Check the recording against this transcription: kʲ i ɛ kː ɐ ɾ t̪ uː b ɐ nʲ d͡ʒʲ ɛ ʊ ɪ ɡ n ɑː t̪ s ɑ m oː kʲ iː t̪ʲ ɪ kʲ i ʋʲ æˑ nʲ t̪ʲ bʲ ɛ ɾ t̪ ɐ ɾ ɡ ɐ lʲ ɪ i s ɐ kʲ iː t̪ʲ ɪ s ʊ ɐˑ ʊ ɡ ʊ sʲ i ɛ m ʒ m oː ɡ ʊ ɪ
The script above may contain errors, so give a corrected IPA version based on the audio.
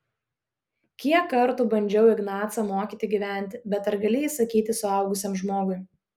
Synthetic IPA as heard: kʲ i ɛ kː ɐ ɾ t̪ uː b ɐ nʲ d͡ʒʲ ɛ ʊ ɪ ɡ n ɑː t̪ s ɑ m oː kʲ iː t̪ʲ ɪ ɡʲ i ʋʲ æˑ nʲ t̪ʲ bʲ ɛ t̪ ɐ ɾ ɡ ɐ lʲ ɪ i s ɐ kʲ iː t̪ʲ ɪ s ʊ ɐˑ ʊ ɡ ʊ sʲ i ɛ m ʒ m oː ɡ ʊ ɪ